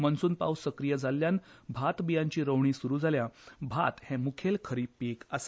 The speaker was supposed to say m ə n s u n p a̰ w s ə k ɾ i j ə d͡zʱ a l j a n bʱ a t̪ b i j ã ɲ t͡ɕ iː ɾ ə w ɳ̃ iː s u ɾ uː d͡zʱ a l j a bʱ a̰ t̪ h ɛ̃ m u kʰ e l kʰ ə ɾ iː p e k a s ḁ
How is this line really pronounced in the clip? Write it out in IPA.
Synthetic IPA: m ə n s uː n p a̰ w s ə k ɾ i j ə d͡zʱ a l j a n bʱ a t̪ b i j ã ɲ t͡ɕ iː ɾ ə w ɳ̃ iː s u ɾ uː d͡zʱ a l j a bʱ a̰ t̪ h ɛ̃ m u kʰ e l kʰ ə ɾ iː p e k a s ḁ